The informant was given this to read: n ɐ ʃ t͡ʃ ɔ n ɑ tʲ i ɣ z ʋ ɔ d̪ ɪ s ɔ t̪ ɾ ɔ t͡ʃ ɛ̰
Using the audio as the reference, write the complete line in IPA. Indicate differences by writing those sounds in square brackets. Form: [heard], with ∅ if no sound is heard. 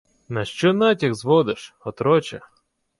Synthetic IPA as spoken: n ɐ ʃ t͡ʃ ɔ n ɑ tʲ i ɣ z ʋ ɔ d̪ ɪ [ʃ] ɔ t̪ ɾ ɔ t͡ʃ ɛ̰